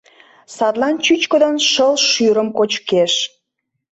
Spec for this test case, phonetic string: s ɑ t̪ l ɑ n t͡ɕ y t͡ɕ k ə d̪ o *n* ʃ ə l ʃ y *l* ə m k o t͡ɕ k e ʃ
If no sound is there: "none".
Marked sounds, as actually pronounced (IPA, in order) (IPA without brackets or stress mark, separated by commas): n, ɾ